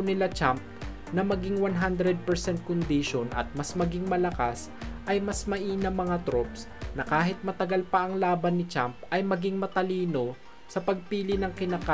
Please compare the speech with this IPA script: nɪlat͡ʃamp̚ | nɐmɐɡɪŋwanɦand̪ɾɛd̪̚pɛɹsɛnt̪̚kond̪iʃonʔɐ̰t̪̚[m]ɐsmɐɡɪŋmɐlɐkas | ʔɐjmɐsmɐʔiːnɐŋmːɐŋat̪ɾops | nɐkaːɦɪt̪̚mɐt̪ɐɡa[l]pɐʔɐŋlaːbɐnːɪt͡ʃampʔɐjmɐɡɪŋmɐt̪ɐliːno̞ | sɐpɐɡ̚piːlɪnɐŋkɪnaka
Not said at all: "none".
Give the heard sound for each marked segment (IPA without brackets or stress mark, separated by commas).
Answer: m, l